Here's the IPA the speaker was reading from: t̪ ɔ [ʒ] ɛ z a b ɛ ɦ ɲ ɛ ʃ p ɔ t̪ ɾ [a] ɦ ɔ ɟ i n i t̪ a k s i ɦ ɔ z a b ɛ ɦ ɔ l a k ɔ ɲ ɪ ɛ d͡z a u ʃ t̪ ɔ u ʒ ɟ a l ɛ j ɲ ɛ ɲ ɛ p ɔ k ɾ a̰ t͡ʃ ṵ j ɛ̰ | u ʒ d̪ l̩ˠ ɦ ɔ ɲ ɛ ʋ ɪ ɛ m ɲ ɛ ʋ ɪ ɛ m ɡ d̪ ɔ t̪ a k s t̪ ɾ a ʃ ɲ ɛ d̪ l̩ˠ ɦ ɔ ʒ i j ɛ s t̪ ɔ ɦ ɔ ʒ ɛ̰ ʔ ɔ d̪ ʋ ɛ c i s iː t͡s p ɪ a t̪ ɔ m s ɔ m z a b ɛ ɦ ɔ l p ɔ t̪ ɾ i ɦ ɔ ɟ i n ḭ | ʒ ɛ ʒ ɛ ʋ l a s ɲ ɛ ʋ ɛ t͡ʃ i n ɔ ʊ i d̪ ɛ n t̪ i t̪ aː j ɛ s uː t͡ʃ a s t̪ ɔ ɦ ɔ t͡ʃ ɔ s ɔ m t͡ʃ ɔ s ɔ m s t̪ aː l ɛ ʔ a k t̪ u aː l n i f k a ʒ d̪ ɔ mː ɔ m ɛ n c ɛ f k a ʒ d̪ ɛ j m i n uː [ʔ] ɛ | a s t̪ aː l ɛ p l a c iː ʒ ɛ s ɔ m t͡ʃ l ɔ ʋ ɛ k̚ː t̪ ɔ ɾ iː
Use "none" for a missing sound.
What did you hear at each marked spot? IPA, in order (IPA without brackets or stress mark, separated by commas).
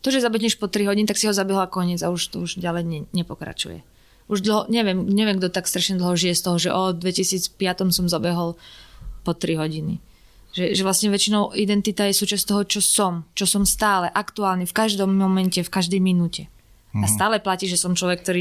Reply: ʒ, i, c